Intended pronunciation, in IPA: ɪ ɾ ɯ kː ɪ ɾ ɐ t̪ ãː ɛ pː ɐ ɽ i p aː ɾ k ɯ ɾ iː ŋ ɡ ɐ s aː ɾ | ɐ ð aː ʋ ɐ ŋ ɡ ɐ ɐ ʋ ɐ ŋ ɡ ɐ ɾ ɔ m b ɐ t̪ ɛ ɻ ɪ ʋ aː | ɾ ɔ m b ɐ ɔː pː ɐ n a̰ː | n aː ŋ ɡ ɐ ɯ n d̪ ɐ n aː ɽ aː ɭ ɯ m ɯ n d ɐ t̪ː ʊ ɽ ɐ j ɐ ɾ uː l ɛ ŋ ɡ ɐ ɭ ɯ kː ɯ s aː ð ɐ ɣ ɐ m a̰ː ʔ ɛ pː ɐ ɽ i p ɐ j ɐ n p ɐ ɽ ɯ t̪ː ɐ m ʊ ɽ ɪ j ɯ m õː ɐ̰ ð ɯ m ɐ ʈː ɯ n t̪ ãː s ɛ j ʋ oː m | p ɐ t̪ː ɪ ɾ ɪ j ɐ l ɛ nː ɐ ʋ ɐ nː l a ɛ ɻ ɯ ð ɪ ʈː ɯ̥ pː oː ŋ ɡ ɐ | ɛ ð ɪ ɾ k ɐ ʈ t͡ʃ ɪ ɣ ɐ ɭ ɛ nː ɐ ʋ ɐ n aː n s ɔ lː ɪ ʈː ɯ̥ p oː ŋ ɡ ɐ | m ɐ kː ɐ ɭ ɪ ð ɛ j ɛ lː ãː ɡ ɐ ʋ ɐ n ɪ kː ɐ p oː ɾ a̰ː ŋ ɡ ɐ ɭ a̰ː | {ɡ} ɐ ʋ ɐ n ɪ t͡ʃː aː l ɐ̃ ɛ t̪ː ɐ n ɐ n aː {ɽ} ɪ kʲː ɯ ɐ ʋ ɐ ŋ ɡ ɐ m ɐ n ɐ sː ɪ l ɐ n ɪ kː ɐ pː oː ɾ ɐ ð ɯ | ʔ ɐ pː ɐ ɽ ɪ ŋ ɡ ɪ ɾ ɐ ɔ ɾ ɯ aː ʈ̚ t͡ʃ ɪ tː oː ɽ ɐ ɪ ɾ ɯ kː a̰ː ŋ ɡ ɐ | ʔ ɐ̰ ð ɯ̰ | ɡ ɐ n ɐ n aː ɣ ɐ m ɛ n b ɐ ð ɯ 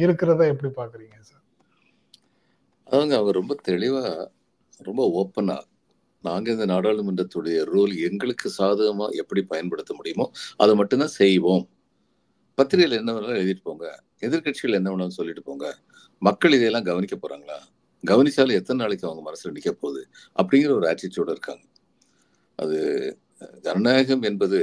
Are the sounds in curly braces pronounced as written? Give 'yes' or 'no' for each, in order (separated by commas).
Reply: yes, no